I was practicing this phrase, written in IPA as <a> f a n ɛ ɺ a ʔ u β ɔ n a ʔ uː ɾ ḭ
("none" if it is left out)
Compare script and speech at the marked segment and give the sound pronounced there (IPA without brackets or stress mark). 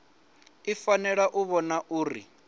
i